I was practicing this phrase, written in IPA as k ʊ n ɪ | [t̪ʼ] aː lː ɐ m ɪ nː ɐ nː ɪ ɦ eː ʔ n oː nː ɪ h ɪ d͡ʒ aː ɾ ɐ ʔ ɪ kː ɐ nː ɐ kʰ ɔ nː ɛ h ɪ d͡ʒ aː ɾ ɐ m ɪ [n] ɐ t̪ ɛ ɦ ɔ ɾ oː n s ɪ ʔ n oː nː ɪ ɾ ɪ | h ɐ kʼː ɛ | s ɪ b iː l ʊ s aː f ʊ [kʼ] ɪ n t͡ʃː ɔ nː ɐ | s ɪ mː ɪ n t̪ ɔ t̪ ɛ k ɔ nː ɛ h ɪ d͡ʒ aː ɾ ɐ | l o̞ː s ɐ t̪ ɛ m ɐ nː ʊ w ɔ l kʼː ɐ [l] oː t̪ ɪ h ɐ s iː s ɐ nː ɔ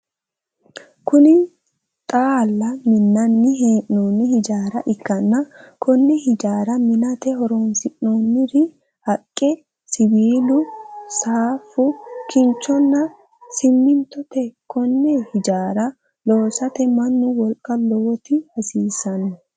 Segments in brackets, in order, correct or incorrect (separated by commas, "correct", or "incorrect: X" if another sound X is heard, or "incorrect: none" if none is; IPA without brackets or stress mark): correct, correct, incorrect: k, correct